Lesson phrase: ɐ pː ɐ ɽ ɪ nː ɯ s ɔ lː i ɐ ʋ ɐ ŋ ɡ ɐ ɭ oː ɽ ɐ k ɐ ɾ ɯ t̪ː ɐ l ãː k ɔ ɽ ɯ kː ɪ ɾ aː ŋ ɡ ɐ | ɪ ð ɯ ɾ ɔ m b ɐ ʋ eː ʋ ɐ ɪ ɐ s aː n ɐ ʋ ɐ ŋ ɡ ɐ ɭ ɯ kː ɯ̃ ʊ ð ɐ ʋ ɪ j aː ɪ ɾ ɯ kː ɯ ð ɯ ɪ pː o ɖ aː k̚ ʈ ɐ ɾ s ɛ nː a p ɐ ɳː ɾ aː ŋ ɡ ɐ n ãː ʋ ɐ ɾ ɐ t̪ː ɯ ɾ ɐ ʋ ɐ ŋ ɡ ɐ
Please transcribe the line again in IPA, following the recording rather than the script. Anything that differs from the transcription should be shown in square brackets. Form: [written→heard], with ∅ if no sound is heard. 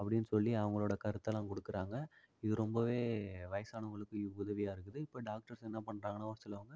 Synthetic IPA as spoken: ɐ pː ɐ ɽ ɪ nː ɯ s ɔ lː i ɐ ʋ ɐ ŋ ɡ ɐ ɭ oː ɽ ɐ k ɐ ɾ ɯ t̪ː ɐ l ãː k ɔ ɽ ɯ kː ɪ ɾ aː ŋ ɡ ɐ | ɪ ð ɯ ɾ ɔ m b ɐ ʋ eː ʋ ɐ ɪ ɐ s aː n ɐ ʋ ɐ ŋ ɡ ɐ ɭ ɯ kː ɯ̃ ʊ ð ɐ ʋ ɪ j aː ɪ ɾ ɯ kː ɯ ð ɯ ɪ pː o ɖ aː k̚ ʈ ɐ ɾ s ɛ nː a p ɐ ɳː ɾ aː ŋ ɡ ɐ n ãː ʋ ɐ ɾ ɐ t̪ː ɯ [ɾ→l] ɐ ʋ ɐ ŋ ɡ ɐ